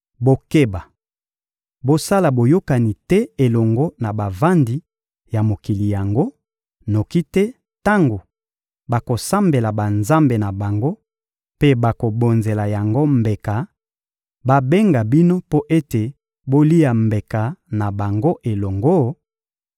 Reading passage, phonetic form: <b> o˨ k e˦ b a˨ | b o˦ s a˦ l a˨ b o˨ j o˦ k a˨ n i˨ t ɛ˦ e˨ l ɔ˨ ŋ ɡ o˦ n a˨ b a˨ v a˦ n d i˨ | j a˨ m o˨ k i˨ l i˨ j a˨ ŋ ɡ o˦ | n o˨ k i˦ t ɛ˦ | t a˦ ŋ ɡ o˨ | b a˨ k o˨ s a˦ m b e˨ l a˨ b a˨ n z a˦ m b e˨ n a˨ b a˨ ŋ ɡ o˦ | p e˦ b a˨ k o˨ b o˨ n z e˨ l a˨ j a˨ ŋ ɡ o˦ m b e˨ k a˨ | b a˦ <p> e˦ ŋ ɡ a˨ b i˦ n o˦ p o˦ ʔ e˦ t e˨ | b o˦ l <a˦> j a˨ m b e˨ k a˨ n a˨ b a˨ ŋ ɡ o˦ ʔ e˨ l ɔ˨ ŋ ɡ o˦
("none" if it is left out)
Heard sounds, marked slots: b, b, i˦

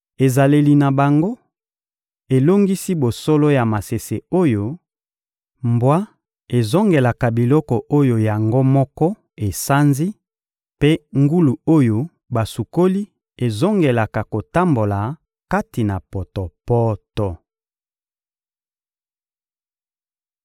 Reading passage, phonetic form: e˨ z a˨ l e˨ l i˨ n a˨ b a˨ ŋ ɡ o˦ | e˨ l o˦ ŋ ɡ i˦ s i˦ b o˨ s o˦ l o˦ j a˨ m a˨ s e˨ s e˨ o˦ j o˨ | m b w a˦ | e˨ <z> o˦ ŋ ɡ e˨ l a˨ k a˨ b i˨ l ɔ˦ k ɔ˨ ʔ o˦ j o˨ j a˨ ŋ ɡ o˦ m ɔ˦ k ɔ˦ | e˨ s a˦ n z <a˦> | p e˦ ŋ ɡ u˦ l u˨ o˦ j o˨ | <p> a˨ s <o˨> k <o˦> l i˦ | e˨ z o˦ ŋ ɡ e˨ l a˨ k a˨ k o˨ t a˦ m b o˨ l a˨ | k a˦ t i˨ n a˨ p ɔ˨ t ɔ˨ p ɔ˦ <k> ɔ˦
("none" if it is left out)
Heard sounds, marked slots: z, i˦, b, u˨, o˦, t

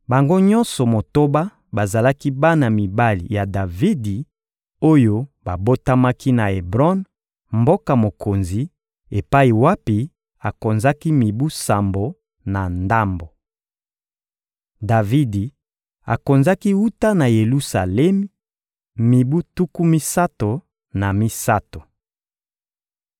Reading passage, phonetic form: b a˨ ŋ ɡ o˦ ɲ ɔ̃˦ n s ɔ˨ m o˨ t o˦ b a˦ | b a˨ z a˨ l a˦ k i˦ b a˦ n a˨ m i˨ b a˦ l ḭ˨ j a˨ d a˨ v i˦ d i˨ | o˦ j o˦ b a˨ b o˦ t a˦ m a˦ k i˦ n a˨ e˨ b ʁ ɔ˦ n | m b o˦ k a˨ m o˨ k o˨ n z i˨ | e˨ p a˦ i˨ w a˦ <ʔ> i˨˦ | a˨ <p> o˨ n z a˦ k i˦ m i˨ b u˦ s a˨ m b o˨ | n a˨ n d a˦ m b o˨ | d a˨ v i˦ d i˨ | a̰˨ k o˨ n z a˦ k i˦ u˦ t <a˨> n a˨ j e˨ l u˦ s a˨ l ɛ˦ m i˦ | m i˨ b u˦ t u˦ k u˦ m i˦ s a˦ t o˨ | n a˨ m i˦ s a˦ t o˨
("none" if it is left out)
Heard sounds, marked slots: p, k, a˦

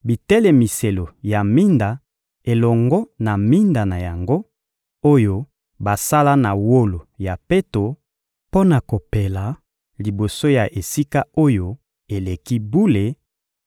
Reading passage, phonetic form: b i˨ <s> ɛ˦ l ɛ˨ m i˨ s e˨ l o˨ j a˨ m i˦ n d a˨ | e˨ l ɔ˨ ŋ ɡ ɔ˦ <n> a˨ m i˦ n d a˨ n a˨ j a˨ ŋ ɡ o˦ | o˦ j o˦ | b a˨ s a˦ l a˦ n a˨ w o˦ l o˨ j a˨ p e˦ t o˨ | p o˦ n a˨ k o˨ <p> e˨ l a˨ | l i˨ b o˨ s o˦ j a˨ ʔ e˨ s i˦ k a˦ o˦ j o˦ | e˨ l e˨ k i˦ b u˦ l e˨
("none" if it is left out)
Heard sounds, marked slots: t, n, p

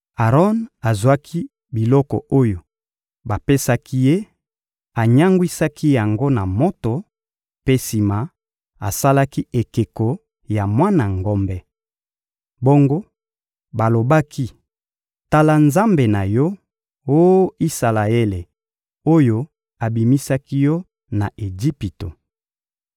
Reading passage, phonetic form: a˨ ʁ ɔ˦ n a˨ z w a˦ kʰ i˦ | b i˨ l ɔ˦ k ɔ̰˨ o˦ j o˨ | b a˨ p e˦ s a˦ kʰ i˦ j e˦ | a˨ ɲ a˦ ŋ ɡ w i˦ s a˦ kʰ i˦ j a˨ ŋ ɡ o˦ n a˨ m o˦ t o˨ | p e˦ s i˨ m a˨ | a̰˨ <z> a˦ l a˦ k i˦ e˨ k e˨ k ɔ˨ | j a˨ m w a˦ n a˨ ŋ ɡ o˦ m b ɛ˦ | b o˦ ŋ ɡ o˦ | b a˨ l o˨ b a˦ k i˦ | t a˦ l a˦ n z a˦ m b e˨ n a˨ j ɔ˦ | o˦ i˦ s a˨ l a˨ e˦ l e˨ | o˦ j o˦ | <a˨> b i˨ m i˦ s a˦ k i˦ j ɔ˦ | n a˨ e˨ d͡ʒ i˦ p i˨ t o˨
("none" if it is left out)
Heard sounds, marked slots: s, a˨

